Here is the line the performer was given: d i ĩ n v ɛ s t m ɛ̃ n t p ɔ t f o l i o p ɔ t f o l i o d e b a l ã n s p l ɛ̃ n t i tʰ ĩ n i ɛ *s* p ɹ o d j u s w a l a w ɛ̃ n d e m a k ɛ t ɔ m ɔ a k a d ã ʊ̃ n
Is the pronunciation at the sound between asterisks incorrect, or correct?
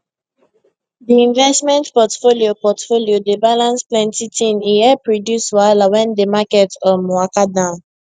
incorrect